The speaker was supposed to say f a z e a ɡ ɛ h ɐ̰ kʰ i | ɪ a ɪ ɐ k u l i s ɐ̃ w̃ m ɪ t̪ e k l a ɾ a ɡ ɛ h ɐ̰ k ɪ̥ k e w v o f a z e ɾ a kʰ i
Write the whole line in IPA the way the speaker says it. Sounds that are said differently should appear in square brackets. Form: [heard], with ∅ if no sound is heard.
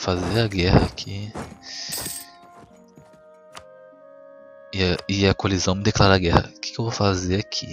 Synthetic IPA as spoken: f a z e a ɡ ɛ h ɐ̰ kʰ i | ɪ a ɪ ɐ k [o] l i [z] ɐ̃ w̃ m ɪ [d̪] e k l a ɾ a ɡ ɛ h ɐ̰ k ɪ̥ k e w v o f a z e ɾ a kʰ i